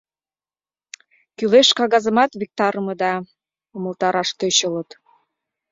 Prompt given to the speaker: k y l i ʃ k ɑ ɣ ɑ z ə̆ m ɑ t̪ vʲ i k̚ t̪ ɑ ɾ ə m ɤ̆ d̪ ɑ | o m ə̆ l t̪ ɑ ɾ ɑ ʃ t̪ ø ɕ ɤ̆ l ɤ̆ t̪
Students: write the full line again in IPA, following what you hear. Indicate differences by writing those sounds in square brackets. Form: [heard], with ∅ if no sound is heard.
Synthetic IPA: k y l [e] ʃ k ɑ ɣ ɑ z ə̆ m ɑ t̪ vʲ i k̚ t̪ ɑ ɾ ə m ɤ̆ d̪ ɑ | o m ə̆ l t̪ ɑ ɾ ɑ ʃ t̪ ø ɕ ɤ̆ l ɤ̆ t̪